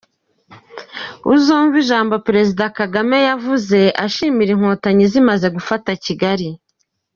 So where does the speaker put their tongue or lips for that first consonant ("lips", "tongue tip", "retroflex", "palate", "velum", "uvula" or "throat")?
tongue tip